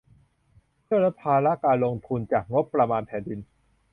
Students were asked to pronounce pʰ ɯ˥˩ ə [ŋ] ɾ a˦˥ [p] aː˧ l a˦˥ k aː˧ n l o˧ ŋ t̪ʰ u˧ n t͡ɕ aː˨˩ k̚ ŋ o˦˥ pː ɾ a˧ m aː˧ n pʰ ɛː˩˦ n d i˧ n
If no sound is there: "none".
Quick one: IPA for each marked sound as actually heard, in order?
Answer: none, pʰ

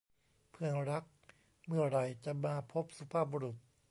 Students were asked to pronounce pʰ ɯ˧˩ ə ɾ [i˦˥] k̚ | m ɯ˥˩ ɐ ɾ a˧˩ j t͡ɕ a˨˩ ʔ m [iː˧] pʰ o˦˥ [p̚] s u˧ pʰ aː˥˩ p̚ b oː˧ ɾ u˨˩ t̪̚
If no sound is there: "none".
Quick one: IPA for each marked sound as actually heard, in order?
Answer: a˦˥, aː˧, p̚

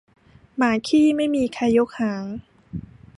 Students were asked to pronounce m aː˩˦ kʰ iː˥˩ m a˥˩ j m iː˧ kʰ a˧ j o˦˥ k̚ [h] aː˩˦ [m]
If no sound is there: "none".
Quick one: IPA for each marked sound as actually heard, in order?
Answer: h, ŋ

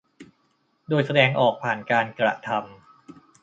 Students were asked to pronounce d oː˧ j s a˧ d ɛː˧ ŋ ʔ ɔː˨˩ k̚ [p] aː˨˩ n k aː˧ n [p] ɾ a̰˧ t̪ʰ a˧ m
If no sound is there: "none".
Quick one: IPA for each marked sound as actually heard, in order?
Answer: pʰ, k

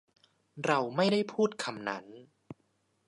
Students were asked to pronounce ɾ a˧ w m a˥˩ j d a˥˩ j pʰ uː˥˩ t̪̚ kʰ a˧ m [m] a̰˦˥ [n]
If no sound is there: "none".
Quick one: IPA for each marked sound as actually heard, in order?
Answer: n, n

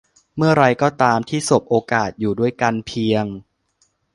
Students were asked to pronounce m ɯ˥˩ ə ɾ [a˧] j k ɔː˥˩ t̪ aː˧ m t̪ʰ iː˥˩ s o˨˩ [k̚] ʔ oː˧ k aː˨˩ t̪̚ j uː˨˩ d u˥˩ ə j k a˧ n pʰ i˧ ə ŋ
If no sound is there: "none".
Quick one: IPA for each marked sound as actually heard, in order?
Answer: a˧, p̚

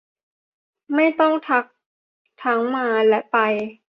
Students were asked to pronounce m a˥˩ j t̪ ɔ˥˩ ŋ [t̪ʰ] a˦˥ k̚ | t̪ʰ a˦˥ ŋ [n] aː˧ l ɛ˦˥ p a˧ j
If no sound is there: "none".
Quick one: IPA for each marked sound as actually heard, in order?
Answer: t̪ʰ, m

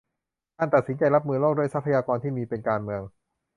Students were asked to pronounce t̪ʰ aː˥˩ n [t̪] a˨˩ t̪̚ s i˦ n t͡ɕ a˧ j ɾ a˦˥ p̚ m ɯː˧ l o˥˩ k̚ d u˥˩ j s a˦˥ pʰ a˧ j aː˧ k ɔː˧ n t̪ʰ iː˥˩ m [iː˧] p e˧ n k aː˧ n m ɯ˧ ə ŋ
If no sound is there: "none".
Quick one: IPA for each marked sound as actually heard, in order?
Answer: t̪, iː˧

